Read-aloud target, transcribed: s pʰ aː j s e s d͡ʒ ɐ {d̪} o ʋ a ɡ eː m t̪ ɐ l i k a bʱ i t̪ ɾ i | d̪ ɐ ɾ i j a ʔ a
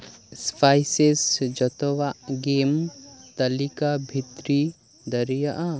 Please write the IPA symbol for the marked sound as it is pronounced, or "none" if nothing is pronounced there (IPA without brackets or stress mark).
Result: t̪